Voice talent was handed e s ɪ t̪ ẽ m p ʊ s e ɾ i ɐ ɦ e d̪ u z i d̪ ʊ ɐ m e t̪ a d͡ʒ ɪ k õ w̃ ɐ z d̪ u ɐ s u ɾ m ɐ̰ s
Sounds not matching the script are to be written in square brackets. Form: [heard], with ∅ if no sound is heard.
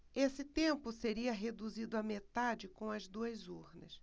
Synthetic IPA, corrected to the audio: e s ɪ t̪ ẽ m p ʊ s e ɾ i ɐ ɦ e d̪ u z i d̪ ʊ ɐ m e t̪ a d͡ʒ ɪ k õ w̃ ɐ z d̪ u ɐ [z] u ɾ [n] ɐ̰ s